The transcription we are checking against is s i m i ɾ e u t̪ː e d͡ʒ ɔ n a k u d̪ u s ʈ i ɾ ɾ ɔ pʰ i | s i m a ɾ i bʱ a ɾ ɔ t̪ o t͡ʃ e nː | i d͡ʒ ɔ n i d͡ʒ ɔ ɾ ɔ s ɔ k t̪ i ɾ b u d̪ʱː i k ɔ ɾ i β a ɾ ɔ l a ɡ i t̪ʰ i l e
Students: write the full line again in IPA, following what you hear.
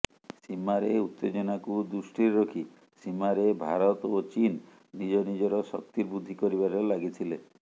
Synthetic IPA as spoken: s i m a ɾ e u t̪ː e d͡ʒ ɔ n a k u d̪ u s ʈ i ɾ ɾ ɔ kʰ i | s i m a ɾ e bʱ a ɾ ɔ t̪ o t͡ʃ i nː | i d͡ʒ ɔ n i d͡ʒ ɔ ɾ ɔ s ɔ k t̪ i ɾ b u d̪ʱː i k ɔ ɾ i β a ɾ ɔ l a ɡ i t̪ʰ i l e